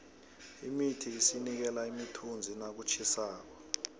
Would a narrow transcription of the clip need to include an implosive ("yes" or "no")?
no